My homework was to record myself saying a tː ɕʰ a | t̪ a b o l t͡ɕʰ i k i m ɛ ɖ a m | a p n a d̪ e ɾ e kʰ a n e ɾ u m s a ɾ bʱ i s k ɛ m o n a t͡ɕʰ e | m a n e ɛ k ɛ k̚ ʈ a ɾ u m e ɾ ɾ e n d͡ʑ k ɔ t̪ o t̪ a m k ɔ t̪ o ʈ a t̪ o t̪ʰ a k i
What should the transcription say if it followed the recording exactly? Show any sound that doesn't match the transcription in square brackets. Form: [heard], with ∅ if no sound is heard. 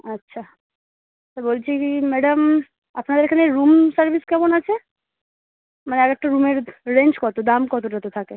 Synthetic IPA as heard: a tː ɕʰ a | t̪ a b o l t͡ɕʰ i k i m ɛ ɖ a m | a p n a d̪ e ɾ e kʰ a n e ɾ u m s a ɾ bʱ i s k ɛ m o n a t͡ɕʰ e | m a n e ɛ k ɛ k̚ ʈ a ɾ u m e ɾ ɾ e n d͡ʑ k ɔ t̪ o [d̪] a m k ɔ t̪ o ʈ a t̪ o t̪ʰ a k [e]